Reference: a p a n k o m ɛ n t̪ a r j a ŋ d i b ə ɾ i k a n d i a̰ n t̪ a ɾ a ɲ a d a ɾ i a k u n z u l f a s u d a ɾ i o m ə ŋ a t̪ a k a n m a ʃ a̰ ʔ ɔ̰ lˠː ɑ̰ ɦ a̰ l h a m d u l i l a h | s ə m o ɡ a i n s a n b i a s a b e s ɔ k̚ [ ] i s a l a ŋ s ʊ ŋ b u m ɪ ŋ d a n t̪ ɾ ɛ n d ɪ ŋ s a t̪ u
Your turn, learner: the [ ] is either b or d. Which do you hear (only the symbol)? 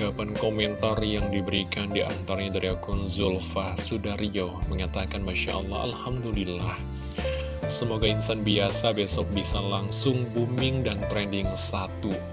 b